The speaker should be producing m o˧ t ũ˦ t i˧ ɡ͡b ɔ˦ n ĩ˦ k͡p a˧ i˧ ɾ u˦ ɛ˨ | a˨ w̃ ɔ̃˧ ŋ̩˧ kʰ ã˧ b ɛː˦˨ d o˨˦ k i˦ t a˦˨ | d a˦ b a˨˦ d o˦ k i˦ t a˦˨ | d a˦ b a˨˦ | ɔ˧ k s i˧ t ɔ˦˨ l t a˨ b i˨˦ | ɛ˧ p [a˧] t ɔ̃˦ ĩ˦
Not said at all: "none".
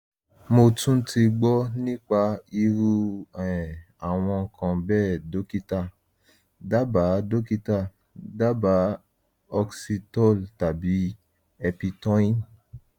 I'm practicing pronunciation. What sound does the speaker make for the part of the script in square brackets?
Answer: i˧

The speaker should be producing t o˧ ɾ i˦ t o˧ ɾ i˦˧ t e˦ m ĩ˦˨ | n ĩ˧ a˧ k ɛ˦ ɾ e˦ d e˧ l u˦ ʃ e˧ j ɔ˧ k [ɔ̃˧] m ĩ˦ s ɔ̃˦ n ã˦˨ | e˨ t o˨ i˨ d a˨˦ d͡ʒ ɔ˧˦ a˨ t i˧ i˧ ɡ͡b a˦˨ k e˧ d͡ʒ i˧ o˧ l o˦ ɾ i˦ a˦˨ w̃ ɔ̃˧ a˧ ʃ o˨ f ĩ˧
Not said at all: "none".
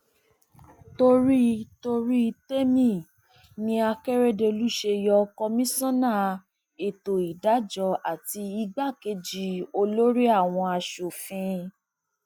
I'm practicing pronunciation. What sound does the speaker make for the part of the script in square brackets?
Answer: ɔ˧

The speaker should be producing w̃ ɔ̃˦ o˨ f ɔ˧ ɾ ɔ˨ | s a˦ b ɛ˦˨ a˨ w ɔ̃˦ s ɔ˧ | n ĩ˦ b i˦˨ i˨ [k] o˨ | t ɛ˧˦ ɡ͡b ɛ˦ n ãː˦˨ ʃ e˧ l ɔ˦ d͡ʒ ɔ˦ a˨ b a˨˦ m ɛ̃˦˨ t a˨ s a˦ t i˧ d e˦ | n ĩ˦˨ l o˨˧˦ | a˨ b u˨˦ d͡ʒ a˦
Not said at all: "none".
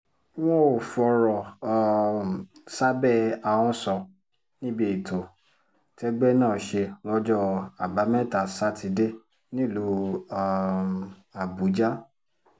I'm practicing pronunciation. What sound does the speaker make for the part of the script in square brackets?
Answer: t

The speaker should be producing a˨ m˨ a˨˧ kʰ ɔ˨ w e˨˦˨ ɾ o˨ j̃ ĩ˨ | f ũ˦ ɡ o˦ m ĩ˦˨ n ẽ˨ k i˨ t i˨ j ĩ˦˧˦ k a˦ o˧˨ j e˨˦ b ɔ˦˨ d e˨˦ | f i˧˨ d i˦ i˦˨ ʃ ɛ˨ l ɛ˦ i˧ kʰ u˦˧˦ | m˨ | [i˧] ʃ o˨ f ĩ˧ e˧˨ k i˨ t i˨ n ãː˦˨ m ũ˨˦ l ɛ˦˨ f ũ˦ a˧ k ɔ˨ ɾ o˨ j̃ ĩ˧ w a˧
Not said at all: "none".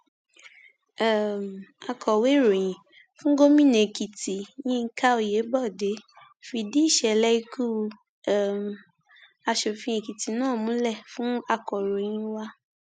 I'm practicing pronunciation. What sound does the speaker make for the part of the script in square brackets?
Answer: a˧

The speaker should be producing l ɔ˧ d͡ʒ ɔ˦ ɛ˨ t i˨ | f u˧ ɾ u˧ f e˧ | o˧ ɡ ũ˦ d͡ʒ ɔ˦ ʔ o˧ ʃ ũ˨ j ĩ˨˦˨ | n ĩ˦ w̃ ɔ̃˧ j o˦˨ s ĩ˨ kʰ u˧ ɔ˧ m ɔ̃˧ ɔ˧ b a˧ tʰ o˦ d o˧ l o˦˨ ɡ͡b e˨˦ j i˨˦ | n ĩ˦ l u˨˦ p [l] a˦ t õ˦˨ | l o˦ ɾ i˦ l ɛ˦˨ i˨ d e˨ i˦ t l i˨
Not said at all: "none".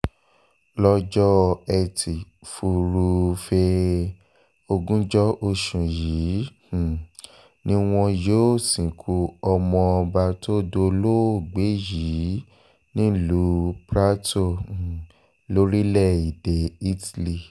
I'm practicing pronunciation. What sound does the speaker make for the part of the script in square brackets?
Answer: ɾ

